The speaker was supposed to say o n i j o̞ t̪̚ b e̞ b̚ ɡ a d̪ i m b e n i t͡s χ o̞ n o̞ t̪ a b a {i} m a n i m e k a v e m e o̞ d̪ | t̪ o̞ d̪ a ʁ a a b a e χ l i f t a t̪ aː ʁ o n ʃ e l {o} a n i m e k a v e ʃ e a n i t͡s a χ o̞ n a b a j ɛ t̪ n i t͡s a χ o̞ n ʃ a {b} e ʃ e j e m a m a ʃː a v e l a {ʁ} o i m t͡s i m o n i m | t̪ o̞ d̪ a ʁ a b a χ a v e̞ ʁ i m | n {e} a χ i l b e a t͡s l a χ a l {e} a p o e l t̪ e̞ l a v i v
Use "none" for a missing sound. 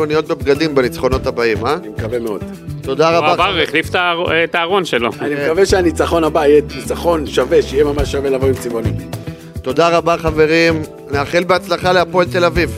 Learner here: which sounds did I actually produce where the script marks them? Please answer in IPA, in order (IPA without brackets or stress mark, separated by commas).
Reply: i, o, v, v, e, e